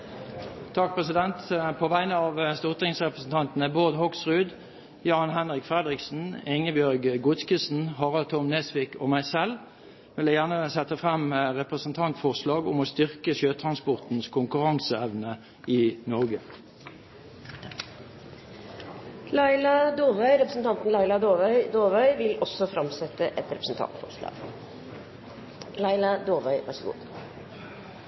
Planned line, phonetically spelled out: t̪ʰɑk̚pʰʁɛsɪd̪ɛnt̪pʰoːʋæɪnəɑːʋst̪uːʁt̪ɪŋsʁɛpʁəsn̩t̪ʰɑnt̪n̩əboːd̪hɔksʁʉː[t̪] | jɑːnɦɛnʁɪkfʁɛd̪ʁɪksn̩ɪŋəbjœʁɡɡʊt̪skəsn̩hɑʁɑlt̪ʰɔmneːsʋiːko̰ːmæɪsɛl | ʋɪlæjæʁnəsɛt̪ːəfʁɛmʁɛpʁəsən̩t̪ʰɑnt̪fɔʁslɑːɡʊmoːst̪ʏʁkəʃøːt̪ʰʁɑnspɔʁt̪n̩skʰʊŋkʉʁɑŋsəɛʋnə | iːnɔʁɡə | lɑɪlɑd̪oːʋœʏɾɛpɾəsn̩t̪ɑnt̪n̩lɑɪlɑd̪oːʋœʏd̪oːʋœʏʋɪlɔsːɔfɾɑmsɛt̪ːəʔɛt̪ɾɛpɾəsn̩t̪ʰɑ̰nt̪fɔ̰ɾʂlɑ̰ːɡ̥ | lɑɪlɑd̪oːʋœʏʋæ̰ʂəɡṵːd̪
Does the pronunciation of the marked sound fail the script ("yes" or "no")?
yes